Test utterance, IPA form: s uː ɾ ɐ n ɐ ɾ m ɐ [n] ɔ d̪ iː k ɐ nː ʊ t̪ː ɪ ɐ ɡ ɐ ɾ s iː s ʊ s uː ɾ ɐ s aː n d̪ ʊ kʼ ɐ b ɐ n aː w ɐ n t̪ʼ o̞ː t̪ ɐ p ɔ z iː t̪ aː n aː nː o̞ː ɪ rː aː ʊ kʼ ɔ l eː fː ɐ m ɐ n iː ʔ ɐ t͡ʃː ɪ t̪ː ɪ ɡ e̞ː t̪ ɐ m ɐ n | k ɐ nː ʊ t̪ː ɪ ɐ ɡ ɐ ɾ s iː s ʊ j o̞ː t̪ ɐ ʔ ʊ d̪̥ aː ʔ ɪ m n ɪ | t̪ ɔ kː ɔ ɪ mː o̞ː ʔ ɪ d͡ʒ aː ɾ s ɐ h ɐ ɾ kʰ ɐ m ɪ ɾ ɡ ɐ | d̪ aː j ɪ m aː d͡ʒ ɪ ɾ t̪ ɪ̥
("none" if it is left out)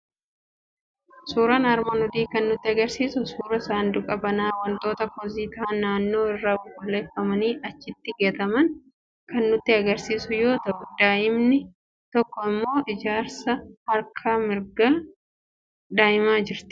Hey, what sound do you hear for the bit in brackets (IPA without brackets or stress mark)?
n